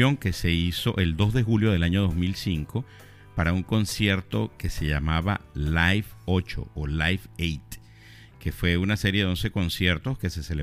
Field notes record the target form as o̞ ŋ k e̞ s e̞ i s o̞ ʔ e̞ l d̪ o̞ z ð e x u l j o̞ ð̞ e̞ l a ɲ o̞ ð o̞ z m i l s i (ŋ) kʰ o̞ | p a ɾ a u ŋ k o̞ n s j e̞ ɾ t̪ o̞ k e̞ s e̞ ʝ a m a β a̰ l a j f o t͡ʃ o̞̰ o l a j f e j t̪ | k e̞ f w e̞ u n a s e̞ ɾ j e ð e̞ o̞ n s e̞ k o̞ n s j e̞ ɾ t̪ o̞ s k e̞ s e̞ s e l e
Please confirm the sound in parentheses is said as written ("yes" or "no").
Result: yes